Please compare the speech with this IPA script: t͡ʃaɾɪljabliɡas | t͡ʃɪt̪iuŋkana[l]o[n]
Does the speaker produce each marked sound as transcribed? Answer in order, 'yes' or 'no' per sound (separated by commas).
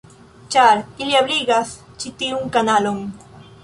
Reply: yes, no